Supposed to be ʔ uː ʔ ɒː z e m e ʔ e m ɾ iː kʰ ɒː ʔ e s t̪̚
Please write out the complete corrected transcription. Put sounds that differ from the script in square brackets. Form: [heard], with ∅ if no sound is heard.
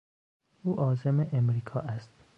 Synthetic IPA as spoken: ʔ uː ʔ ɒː z e m e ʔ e m ɾ iː kʰ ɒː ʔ [æ] s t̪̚